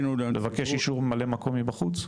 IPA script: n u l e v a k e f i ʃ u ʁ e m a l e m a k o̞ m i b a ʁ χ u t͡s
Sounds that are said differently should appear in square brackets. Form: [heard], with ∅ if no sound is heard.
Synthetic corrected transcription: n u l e v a k e [ʃ] i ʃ u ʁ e m a l e m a k o̞ m i b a [∅] χ u t͡s